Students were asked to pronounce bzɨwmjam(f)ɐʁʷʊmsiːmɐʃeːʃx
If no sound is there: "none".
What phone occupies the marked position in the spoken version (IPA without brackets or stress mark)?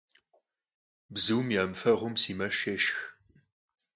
f